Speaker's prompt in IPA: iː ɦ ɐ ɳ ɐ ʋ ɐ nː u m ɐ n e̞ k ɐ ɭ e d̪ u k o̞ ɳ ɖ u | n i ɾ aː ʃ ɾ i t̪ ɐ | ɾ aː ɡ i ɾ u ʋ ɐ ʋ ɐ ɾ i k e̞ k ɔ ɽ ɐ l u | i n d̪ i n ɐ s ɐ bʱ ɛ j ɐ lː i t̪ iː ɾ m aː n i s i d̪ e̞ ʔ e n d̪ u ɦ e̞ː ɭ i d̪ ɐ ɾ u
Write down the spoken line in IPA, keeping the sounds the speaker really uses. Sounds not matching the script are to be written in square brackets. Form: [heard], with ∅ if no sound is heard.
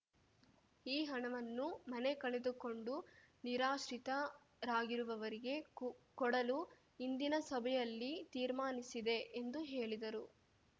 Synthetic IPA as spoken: iː ɦ ɐ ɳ ɐ ʋ ɐ nː u m ɐ n e̞ k ɐ ɭ e d̪ u k o̞ ɳ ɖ u | n i ɾ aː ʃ ɾ i t̪ ɐ | ɾ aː ɡ i ɾ u ʋ ɐ ʋ ɐ ɾ i [ɡ] e̞ k ɔ ɽ ɐ l u | i n d̪ i n ɐ s ɐ bʱ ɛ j ɐ lː i t̪ iː ɾ m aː n i s i d̪ e̞ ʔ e n d̪ u ɦ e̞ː ɭ i d̪ ɐ ɾ u